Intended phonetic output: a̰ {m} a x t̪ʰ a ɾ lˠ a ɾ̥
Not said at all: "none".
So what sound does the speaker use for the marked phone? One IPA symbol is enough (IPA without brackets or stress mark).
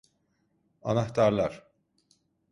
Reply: n